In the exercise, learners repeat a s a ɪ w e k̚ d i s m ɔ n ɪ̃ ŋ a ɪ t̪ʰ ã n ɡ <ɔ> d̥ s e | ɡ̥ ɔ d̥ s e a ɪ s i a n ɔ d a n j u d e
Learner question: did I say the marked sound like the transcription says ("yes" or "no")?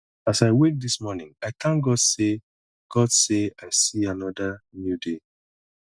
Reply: yes